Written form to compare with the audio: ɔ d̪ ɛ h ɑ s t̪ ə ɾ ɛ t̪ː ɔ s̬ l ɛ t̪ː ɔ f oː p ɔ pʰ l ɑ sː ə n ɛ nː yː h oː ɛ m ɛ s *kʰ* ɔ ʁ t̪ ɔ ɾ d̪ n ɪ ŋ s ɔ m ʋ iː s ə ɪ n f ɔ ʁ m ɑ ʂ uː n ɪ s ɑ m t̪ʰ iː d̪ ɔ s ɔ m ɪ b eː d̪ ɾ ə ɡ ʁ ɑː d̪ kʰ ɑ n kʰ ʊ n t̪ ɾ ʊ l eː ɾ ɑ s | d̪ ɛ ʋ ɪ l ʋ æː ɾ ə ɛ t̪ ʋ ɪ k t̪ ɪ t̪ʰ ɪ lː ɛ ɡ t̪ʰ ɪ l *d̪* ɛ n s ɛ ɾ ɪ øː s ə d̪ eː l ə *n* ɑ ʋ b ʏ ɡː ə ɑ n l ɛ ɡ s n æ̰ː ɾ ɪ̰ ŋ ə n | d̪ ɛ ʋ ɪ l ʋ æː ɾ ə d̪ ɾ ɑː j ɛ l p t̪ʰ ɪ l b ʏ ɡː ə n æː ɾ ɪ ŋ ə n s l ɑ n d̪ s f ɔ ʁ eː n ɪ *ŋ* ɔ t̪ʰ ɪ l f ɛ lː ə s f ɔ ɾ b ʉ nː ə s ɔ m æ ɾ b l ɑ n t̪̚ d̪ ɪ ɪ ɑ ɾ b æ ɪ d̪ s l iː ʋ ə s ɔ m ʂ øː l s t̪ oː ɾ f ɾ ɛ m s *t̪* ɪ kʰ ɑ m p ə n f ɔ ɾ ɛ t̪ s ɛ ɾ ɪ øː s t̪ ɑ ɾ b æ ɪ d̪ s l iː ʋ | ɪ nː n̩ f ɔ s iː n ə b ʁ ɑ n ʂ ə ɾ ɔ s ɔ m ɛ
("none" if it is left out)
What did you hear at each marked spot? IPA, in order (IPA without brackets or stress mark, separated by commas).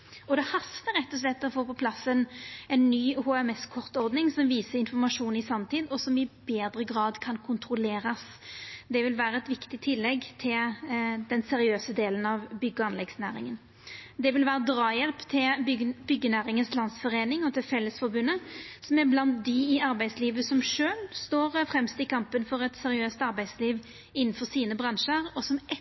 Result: kʰ, d̪, n, ŋ, t̪